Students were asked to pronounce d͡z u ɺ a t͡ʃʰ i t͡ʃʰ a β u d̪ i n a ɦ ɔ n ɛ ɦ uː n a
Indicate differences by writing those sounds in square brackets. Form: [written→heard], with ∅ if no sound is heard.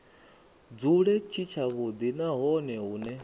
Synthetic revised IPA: d͡z u ɺ [a→ɛ] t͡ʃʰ i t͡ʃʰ a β u d̪ i n a ɦ ɔ n ɛ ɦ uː n [a→ɛ]